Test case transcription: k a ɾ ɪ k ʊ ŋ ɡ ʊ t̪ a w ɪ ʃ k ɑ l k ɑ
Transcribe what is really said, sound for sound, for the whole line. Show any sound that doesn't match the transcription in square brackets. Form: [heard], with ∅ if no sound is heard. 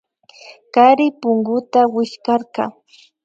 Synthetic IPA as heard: k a ɾ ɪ [p] ʊ ŋ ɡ ʊ t̪ a w ɪ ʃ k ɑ [ɾ] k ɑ